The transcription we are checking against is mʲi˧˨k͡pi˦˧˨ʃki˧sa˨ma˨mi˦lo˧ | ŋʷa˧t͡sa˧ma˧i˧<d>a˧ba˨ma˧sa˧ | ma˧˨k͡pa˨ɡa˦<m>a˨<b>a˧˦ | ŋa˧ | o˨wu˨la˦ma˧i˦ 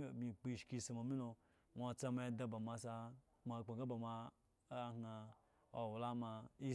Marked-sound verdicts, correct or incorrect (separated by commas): correct, incorrect, incorrect